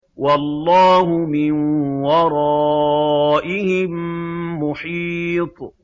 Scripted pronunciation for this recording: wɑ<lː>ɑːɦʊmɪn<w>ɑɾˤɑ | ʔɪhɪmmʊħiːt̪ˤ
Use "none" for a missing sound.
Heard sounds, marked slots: lː, w

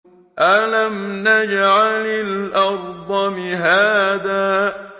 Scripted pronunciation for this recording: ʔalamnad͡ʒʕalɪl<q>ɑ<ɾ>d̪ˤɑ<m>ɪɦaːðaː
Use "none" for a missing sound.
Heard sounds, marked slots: ʔ, ɾ, m

